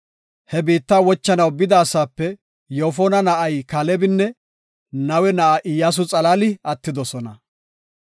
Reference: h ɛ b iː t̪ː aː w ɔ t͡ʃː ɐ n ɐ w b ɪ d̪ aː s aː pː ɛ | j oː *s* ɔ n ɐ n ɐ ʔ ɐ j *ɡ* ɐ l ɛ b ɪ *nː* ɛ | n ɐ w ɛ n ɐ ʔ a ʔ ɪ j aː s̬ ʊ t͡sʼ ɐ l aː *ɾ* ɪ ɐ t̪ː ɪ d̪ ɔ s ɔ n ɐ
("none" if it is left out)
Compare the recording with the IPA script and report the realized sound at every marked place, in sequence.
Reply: f, k, nː, l

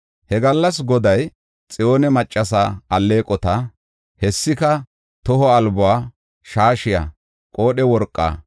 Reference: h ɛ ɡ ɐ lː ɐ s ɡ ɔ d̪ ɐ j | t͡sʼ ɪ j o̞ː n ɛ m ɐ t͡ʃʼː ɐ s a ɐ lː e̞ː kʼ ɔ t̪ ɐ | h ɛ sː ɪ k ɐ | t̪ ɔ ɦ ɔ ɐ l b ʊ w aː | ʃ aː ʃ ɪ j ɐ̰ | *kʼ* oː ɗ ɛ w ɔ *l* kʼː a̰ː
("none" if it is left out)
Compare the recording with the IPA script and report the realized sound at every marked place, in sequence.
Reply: kʼ, ɾ

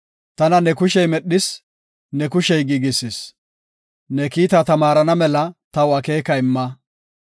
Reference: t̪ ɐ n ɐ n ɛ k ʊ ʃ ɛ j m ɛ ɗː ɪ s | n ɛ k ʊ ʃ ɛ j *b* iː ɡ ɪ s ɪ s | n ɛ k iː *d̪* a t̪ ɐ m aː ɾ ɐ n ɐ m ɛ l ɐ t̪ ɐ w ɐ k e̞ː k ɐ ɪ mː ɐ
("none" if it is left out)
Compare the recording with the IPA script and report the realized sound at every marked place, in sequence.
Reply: ɡ, t̪

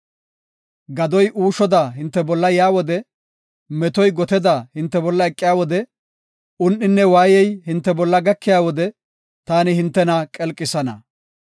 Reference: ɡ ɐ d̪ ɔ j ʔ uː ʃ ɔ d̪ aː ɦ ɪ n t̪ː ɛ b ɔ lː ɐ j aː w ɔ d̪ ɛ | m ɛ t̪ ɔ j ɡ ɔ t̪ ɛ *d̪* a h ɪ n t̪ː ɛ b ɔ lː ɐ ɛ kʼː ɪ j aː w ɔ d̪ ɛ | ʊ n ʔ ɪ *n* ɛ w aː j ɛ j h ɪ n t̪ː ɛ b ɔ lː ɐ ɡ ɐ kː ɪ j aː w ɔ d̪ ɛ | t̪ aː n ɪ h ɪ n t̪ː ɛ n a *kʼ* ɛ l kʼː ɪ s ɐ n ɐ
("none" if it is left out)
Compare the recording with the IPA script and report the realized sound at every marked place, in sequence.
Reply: d̪, nː, kʼ

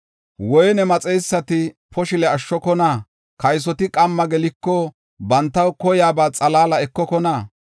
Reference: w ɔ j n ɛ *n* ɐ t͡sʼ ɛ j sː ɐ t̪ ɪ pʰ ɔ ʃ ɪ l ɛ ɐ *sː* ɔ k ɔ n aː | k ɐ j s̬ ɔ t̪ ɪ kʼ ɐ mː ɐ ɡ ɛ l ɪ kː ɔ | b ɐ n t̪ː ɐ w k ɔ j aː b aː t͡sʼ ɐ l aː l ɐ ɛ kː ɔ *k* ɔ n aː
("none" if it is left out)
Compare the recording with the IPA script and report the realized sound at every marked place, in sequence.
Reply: m, ʃː, k

